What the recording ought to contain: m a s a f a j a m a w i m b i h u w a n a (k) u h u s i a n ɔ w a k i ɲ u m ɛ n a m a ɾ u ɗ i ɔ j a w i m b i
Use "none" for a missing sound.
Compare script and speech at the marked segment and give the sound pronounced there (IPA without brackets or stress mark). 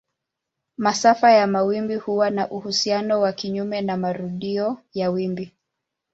ʔ